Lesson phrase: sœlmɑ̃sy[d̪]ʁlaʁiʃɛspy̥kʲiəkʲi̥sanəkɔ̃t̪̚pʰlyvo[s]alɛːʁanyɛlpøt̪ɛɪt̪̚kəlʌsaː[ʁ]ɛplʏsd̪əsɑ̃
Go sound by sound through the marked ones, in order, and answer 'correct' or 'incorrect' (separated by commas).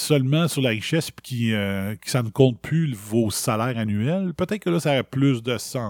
incorrect, correct, correct